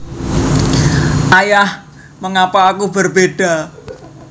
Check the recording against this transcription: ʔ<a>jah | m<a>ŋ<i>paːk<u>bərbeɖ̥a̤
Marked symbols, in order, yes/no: yes, no, no, yes

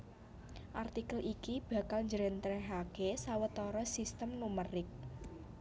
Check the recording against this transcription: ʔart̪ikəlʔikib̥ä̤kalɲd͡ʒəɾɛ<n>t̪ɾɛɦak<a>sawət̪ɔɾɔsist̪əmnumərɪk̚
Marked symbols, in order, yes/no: yes, no

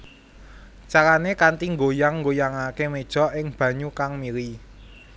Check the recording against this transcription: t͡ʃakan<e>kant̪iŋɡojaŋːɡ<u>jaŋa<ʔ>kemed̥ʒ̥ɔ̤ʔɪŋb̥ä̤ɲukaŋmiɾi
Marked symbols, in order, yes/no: yes, no, no

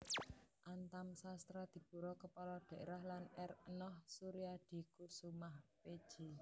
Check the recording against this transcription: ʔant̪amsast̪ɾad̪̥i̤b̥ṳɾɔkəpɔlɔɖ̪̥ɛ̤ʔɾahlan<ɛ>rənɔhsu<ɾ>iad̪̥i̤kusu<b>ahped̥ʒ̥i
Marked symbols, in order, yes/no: yes, yes, no

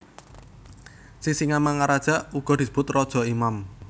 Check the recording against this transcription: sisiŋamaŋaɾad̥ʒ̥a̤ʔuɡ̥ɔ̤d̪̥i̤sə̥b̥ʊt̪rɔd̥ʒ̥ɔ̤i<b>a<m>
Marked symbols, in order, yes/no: no, yes

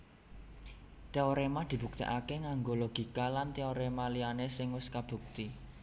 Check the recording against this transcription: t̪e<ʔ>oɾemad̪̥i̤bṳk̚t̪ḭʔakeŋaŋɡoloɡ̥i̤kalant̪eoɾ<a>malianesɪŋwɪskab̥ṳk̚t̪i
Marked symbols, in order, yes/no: no, no

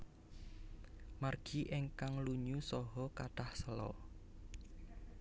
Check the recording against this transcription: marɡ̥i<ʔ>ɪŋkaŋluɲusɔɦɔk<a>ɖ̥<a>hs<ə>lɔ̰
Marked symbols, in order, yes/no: yes, yes, yes, yes

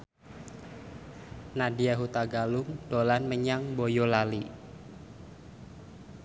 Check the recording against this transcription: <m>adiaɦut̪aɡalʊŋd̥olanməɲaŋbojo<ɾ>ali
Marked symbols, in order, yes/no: no, no

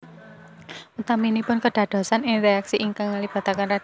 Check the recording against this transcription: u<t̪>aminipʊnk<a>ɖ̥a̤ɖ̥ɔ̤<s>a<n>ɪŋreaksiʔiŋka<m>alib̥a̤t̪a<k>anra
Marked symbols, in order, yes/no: yes, no, yes, yes, no, yes

